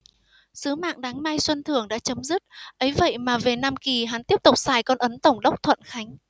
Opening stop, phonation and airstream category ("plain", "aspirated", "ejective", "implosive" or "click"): implosive